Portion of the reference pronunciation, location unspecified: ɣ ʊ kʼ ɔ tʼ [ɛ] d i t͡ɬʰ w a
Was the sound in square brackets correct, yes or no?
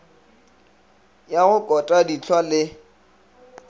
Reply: no